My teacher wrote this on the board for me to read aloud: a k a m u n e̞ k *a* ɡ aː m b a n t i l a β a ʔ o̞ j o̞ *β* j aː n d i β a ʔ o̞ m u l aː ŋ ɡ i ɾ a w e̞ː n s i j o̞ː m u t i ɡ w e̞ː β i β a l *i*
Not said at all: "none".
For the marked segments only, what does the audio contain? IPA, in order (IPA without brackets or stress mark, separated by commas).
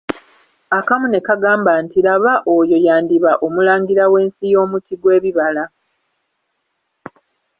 a, none, a